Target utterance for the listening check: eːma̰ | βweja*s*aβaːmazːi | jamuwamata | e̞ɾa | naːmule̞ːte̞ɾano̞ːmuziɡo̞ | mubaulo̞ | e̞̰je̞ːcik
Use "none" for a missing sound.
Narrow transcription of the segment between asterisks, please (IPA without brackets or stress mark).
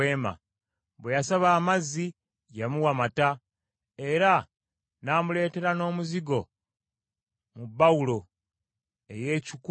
s